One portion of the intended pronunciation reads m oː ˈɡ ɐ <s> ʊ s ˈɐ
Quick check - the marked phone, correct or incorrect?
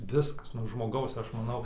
incorrect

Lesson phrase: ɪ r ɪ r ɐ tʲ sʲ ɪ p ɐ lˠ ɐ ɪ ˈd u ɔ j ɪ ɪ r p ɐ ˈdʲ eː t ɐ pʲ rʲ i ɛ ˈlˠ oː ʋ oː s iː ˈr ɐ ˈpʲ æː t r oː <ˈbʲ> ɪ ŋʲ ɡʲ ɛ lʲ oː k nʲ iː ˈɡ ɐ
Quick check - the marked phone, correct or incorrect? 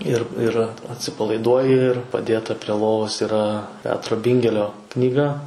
correct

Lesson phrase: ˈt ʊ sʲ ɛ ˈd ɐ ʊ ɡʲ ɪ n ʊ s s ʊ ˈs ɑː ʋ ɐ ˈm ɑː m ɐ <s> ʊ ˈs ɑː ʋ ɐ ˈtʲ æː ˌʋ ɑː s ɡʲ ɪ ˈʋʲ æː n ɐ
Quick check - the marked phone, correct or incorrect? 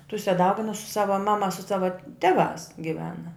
correct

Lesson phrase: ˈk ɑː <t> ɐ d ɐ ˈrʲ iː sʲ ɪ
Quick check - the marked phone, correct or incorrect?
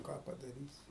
incorrect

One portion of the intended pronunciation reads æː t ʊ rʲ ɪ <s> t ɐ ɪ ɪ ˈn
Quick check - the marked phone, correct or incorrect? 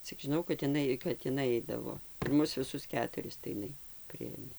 correct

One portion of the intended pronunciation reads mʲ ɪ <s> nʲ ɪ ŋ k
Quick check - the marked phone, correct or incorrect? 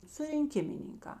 incorrect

